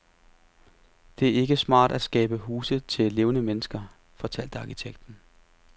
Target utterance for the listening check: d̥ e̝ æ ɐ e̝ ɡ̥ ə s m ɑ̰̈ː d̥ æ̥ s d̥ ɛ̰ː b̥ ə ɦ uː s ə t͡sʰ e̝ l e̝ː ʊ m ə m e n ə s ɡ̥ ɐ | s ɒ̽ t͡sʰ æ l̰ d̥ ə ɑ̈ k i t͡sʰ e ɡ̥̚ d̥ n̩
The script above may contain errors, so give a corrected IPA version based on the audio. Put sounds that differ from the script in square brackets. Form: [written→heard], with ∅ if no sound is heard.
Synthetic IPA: d̥ e̝ æ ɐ e̝ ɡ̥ ə s m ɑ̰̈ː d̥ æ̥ s [d̥→ɡ̥] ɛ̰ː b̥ ə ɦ uː s ə t͡sʰ e̝ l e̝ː ʊ [m→n] ə m e n ə s ɡ̥ ɐ | [s→f] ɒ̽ t͡sʰ æ l̰ d̥ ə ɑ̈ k i t͡sʰ e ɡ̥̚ d̥ n̩

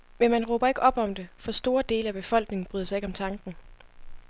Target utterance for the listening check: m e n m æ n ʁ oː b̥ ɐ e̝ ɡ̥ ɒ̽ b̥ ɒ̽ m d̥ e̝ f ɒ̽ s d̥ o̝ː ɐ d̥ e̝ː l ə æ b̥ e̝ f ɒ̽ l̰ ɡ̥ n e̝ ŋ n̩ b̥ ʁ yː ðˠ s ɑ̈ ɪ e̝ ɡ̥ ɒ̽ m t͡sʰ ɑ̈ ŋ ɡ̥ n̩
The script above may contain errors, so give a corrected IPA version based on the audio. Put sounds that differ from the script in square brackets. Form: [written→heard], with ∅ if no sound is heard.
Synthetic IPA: m e n m æ n ʁ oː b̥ ɐ e̝ ɡ̥ ɒ̽ b̥ ɒ̽ m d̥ e̝ f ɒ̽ s d̥ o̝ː ɐ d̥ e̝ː l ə æ b̥ e̝ f ɒ̽ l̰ ɡ̥ n e̝ ŋ n̩ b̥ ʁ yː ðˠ s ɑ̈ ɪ e̝ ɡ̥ ɒ̽ m t͡sʰ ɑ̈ ŋ ɡ̥ n̩

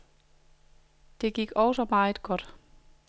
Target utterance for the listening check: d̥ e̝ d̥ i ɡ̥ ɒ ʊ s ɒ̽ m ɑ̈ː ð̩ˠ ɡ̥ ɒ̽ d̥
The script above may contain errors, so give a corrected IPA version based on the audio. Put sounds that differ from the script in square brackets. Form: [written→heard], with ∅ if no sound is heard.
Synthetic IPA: d̥ e̝ [d̥→ɡ̥] i ɡ̥ ɒ ʊ s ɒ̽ m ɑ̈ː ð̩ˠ ɡ̥ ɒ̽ d̥

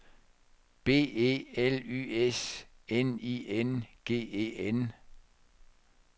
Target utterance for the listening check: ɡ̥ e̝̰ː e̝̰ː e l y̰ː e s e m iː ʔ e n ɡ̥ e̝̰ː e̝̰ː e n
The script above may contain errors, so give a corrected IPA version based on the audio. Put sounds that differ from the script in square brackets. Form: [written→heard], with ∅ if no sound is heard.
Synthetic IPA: [ɡ̥→b̥] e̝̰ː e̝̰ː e l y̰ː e s e [m→n] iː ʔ e n ɡ̥ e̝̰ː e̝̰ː e n

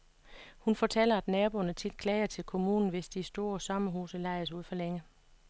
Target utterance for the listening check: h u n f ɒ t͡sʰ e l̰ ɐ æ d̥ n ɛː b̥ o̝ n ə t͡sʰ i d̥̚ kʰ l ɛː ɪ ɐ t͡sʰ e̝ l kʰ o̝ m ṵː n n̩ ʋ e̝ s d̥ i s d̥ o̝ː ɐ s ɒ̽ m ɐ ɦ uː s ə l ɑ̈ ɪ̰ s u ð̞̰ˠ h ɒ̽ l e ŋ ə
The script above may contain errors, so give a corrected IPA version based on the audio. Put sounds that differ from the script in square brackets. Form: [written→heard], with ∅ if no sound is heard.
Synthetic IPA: h u n f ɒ t͡sʰ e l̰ ɐ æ d̥ n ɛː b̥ o̝ n ə t͡sʰ i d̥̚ kʰ l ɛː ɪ ɐ t͡sʰ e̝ l kʰ o̝ m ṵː n n̩ ʋ e̝ s d̥ i s d̥ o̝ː ɐ s ɒ̽ m ɐ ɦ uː s ə l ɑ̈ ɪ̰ s u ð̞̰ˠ [h→f] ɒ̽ l e ŋ ə

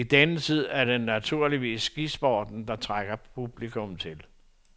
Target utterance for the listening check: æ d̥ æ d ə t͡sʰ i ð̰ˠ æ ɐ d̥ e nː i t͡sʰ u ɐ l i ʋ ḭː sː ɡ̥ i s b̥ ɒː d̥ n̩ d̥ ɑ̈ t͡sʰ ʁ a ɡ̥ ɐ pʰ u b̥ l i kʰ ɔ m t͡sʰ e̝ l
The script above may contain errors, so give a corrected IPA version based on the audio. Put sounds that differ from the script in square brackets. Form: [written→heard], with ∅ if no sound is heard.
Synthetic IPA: [æ→i] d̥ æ [d→n] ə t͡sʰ i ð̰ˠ æ ɐ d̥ e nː [i→æ] t͡sʰ u ɐ l i ʋ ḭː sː ɡ̥ i s b̥ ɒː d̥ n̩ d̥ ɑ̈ t͡sʰ ʁ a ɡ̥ ɐ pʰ u b̥ l i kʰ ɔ m t͡sʰ e̝ l

